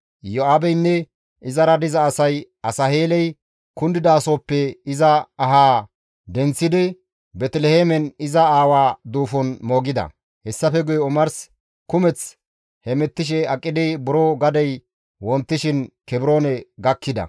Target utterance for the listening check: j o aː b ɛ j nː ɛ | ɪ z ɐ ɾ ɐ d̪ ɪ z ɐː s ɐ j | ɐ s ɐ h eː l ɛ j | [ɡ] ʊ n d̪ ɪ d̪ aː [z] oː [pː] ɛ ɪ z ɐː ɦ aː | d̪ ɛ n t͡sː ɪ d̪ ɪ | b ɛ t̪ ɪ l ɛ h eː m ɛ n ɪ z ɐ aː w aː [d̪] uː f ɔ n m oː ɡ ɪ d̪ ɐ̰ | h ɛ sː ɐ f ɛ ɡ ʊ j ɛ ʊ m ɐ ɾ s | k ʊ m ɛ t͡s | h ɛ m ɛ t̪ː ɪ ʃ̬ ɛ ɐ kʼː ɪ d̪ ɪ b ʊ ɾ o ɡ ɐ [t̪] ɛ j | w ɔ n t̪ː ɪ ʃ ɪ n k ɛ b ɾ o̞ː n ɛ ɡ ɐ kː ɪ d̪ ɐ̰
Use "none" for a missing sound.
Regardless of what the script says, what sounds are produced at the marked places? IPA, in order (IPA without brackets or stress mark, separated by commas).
k, s, pː, d̪, d̪